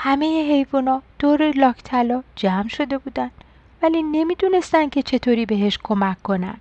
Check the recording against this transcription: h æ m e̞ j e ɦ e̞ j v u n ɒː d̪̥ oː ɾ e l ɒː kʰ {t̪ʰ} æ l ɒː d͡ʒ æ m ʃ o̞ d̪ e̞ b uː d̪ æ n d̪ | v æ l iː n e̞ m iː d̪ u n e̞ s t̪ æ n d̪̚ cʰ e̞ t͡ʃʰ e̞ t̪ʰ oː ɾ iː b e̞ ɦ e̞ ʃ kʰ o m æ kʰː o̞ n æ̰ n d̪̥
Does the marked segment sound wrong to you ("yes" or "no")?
no